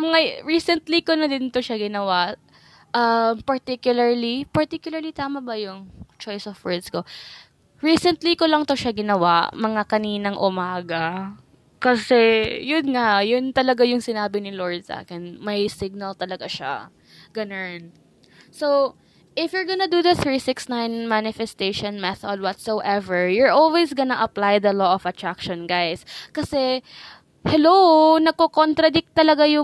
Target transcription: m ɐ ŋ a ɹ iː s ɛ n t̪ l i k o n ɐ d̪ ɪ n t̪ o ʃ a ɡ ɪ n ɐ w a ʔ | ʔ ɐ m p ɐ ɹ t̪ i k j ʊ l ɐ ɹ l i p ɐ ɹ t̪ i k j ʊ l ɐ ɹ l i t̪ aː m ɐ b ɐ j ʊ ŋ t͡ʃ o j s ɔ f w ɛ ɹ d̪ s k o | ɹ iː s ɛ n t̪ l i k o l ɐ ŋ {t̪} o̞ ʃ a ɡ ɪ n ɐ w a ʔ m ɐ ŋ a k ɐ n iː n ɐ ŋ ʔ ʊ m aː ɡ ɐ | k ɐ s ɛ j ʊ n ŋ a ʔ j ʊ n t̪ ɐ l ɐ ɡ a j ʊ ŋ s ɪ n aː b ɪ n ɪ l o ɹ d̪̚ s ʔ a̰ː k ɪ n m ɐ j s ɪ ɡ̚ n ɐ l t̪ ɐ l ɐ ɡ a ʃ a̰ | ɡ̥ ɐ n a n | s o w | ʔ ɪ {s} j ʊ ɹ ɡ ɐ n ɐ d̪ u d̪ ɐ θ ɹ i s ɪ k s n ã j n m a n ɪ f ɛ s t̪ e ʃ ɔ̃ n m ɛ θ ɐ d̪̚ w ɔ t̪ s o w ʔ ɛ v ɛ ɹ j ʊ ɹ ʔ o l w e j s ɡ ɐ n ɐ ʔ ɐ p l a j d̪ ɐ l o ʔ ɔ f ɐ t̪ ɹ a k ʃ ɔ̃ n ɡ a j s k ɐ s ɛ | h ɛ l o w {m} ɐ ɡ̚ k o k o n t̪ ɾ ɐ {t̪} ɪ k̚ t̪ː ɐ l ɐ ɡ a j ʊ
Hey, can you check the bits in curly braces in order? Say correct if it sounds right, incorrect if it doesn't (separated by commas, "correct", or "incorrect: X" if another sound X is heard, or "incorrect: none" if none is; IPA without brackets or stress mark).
correct, incorrect: f, incorrect: n, incorrect: d̪